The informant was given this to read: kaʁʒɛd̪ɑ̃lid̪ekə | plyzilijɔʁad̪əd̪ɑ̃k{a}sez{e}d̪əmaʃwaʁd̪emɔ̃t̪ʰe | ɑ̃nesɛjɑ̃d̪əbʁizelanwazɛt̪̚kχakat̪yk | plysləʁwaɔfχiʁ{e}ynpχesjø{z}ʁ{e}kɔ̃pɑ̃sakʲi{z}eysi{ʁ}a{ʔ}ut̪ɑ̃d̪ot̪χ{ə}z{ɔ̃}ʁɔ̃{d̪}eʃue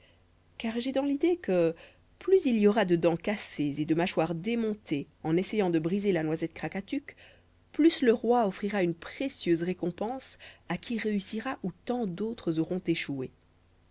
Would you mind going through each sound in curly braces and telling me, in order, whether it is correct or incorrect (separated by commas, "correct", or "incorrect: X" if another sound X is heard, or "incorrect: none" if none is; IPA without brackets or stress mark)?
correct, correct, incorrect: a, correct, correct, incorrect: ʁ, correct, correct, correct, incorrect: ɔ, incorrect: t̪